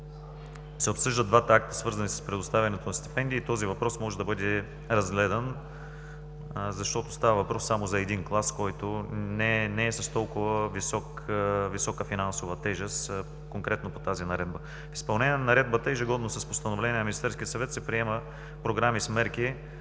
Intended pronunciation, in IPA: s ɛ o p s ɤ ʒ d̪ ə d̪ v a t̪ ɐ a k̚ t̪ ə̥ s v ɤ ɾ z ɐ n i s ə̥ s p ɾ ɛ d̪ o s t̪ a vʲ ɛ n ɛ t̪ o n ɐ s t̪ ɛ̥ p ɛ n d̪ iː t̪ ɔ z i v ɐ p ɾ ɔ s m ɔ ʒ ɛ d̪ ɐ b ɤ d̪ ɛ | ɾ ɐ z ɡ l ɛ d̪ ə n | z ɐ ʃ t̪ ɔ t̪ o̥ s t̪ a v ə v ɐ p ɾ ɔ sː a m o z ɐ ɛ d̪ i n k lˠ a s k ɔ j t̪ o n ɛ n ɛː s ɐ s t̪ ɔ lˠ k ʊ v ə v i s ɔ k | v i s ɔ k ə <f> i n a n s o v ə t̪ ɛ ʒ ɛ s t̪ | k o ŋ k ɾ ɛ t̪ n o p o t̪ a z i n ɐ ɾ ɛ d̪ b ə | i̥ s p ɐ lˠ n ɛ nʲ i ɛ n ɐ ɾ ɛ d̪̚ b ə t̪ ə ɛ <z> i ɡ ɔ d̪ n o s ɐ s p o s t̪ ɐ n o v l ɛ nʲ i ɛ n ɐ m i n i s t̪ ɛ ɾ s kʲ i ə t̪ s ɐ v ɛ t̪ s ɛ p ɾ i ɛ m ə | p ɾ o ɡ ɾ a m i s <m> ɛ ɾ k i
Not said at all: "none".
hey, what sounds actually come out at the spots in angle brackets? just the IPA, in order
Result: f, ʒ, m

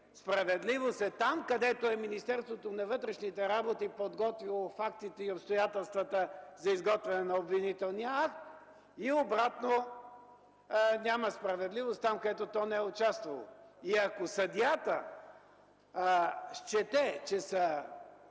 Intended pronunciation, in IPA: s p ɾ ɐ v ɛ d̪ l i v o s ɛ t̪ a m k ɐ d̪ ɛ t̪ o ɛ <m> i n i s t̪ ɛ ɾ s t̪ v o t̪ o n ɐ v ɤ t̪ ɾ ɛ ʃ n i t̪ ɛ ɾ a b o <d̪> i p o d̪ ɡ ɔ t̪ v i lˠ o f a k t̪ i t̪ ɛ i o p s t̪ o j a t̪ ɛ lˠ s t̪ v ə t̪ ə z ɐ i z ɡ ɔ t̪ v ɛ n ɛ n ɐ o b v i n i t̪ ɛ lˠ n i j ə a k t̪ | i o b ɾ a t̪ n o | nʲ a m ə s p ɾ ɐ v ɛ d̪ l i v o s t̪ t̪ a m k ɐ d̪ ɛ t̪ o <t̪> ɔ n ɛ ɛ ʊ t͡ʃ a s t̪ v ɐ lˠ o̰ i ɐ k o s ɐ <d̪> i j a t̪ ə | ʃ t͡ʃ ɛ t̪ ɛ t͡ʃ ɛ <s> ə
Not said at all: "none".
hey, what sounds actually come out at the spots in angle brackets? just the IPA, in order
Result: m, t̪, t̪, d̪, s

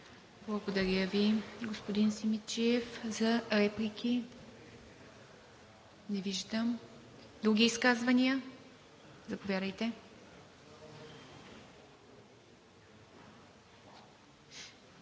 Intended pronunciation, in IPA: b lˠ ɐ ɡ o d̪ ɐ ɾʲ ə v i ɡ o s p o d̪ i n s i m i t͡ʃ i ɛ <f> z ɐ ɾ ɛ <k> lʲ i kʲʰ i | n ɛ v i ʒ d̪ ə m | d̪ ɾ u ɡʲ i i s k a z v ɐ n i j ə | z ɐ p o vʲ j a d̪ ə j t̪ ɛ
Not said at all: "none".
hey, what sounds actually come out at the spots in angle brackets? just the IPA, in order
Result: f, p

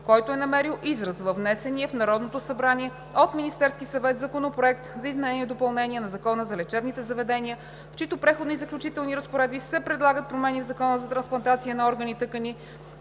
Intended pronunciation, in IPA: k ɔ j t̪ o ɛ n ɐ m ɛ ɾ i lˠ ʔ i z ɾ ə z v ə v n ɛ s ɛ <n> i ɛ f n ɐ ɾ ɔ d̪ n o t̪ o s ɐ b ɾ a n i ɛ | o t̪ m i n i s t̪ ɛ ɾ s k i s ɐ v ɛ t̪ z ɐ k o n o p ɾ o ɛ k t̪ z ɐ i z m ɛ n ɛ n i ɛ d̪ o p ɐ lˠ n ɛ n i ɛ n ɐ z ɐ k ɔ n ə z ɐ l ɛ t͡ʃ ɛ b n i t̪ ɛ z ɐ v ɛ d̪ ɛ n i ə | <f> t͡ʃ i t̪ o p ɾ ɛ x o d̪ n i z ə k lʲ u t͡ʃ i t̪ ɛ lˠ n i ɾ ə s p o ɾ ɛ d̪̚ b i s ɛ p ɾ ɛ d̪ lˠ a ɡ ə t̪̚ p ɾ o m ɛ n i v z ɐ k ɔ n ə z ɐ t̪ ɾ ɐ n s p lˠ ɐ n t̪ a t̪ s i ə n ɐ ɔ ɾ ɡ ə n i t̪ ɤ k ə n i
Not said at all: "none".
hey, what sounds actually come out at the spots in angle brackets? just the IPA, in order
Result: n, f

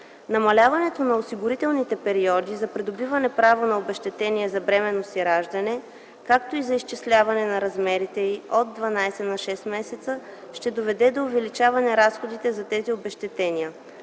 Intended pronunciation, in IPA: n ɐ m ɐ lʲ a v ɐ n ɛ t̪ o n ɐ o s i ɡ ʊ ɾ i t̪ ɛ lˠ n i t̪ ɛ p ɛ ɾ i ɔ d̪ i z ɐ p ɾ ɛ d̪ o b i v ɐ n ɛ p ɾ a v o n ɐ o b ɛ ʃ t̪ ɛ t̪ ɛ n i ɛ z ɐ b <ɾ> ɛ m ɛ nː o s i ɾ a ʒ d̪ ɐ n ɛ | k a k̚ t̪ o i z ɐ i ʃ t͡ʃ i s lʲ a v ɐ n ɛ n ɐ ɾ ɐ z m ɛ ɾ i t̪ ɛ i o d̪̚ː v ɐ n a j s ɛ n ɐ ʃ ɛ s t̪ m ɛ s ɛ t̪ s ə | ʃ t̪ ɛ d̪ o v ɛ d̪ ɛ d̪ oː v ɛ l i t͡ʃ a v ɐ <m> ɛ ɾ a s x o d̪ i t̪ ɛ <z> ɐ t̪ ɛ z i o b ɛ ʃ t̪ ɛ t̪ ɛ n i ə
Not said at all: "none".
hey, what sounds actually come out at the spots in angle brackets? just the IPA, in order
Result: ɾ, n, z

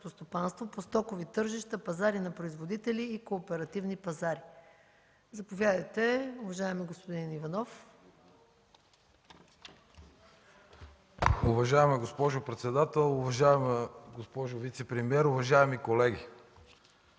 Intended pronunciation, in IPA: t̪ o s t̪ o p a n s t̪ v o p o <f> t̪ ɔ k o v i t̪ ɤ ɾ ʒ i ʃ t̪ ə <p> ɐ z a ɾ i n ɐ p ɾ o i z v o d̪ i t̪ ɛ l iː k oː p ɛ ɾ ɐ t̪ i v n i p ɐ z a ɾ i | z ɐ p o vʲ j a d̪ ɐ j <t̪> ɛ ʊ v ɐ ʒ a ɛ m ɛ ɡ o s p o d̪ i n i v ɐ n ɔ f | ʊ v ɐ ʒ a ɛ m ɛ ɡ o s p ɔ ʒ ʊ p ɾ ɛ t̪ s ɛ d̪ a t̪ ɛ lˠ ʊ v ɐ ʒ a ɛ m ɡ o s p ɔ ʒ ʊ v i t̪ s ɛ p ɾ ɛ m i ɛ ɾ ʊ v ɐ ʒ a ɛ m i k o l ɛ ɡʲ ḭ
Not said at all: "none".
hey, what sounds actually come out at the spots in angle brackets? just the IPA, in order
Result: s, p, t̪

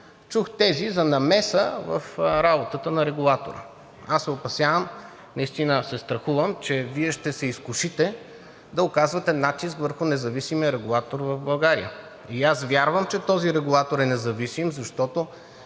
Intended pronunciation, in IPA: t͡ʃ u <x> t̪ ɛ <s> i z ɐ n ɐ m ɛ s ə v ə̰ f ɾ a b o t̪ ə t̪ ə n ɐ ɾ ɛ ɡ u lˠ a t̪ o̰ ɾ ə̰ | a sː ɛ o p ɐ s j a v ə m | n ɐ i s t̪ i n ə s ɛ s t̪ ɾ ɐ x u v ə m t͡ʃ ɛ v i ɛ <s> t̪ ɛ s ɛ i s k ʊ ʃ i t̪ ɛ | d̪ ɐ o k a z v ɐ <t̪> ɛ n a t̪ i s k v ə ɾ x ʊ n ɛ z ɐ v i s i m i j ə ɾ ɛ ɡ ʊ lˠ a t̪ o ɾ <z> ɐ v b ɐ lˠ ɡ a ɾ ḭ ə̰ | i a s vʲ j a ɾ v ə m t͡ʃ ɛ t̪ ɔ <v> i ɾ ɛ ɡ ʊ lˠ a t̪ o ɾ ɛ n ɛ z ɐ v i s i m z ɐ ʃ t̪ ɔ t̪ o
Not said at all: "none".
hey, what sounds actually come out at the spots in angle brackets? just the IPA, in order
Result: x, z, ʃ, t̪, v, z

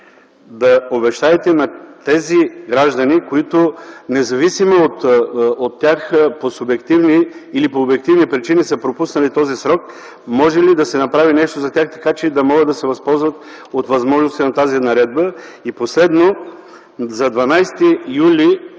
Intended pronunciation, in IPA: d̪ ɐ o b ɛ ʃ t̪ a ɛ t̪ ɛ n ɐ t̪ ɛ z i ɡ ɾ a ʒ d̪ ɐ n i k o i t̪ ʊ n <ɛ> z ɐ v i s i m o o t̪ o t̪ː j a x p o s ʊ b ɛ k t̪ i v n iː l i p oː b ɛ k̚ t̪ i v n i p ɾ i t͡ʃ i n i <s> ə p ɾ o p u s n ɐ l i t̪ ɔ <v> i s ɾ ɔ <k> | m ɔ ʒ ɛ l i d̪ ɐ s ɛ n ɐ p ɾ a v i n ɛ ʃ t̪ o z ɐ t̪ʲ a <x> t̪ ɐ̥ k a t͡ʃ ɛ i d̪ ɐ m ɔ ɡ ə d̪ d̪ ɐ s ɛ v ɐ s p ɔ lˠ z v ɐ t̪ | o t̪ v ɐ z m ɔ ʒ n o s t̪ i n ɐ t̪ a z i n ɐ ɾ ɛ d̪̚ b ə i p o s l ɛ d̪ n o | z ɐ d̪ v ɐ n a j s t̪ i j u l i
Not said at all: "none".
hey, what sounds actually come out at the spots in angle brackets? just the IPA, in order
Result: ɛ, s, z, k, x

